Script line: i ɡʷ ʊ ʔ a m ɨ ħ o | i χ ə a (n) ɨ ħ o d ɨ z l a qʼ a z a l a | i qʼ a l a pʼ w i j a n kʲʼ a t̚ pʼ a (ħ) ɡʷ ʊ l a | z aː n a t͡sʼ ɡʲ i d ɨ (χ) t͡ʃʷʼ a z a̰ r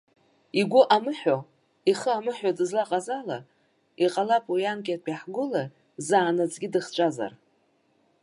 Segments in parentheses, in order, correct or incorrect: incorrect, correct, correct

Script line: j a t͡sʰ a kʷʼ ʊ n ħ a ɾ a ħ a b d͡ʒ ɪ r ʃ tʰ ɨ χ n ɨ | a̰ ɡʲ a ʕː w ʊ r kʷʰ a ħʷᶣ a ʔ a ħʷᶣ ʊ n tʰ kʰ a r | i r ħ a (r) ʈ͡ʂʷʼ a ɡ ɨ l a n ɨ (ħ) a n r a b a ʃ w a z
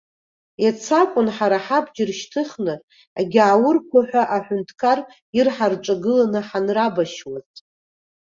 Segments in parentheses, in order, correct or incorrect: correct, correct

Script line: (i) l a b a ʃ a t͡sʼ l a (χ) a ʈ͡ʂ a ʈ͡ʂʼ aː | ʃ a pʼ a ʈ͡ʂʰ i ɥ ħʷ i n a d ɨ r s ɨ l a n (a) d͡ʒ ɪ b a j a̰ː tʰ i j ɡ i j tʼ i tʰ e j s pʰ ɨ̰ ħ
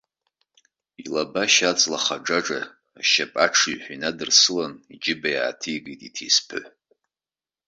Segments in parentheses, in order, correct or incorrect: correct, correct, incorrect

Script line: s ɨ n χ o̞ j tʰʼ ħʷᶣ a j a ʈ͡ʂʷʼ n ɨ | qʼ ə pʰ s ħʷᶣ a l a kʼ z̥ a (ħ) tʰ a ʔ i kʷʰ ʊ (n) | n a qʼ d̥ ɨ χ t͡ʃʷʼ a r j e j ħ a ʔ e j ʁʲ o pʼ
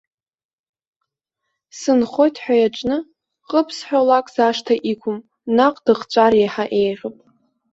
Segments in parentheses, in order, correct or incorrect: incorrect, incorrect

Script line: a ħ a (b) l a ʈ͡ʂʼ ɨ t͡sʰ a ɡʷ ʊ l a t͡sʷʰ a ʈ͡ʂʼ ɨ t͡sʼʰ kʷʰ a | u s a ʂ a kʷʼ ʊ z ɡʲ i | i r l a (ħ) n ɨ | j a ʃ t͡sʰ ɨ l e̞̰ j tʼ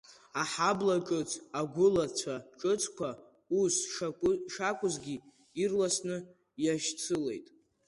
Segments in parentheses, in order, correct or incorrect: correct, incorrect

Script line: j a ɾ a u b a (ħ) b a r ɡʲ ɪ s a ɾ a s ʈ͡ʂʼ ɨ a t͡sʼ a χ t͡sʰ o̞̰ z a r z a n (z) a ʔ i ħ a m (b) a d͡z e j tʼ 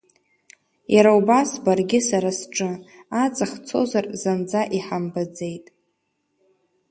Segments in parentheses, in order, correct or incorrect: incorrect, incorrect, correct

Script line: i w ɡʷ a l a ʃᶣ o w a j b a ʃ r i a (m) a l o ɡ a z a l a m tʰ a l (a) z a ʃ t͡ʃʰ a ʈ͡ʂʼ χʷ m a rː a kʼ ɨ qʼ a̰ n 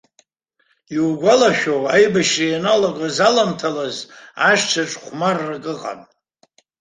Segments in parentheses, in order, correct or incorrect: incorrect, correct

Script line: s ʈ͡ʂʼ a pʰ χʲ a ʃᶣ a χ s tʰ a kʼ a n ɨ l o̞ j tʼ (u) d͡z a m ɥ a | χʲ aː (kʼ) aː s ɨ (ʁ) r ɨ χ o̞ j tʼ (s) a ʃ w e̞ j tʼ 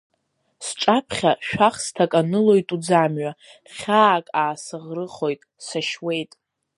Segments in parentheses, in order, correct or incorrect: correct, correct, correct, correct

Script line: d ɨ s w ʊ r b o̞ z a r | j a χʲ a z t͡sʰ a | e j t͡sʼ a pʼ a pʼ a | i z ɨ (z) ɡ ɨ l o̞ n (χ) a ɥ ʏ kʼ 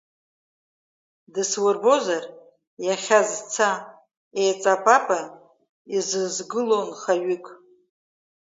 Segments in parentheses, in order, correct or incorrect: correct, correct

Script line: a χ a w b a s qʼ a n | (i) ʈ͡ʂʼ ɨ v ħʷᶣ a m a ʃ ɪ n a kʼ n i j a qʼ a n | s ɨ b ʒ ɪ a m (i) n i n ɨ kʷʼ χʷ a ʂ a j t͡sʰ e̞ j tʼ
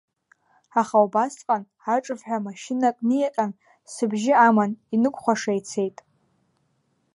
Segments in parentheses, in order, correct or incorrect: incorrect, incorrect

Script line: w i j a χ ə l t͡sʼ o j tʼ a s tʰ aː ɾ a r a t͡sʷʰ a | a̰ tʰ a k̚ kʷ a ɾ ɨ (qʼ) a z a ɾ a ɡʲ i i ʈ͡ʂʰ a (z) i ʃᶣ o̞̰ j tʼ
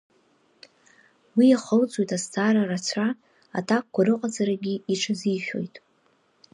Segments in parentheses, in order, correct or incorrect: correct, correct

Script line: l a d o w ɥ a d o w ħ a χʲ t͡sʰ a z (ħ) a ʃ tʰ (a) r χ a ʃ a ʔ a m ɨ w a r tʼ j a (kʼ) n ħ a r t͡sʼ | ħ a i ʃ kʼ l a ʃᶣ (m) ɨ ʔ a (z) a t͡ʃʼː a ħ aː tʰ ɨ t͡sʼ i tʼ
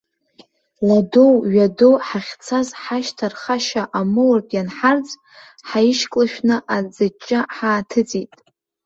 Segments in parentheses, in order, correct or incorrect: correct, correct, incorrect, incorrect, incorrect

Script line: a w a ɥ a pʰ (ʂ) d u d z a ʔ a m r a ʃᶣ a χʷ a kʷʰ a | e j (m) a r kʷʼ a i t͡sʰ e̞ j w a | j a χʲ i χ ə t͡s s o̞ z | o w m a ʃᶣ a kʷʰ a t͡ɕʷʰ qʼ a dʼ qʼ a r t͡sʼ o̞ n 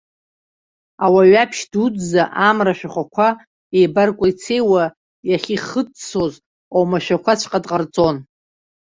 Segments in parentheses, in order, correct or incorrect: incorrect, incorrect

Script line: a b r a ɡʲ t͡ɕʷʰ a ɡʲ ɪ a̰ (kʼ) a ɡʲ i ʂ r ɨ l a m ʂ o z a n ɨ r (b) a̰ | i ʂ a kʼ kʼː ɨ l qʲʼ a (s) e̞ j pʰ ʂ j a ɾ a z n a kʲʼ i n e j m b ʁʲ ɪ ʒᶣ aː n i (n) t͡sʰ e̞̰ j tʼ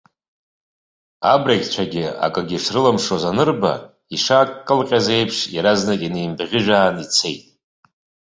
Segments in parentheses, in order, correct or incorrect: correct, correct, incorrect, incorrect

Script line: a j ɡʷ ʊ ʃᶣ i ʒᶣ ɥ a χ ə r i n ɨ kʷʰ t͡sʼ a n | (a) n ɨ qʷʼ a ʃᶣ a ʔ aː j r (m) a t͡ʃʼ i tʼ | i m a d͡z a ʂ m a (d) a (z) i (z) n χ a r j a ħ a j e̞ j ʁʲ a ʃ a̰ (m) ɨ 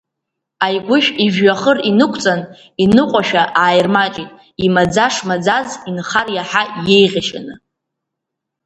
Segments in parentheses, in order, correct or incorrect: incorrect, correct, incorrect, correct, incorrect, incorrect

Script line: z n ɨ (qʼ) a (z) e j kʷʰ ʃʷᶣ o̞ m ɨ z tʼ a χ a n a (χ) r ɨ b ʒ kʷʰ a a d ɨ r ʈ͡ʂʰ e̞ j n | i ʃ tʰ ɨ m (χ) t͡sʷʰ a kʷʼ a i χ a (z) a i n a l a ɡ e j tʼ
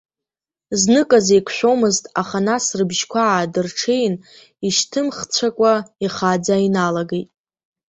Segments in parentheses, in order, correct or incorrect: incorrect, correct, incorrect, correct, incorrect

